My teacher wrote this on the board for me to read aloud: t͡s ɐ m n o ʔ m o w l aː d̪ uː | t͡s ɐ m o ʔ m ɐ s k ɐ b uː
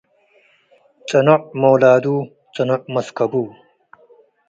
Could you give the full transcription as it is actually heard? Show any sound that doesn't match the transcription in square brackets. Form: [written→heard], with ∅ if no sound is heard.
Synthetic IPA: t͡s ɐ [m→∅] n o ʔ m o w l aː d̪ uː | t͡s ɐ [m→n] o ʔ m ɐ s k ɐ b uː